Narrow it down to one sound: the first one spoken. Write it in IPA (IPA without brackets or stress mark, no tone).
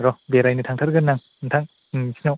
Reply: ɾ